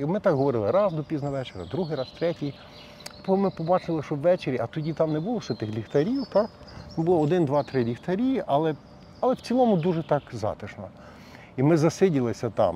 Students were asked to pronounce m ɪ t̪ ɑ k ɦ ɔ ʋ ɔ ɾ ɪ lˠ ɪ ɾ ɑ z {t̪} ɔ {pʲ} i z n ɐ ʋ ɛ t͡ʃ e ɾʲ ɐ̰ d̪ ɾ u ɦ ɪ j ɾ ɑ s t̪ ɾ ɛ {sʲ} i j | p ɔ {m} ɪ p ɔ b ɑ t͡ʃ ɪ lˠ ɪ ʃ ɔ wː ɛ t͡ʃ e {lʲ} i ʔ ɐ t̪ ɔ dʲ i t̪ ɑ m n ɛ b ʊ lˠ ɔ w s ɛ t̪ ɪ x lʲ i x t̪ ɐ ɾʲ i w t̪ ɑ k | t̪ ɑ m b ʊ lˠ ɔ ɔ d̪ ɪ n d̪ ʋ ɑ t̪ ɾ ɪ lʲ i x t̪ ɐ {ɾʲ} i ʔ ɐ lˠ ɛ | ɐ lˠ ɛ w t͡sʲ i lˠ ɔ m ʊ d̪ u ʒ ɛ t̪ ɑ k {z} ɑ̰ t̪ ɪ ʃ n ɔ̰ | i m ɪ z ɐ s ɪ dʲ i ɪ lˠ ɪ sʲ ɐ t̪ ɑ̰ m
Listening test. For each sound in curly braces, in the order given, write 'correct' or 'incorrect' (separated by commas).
incorrect, correct, incorrect, correct, incorrect, correct, correct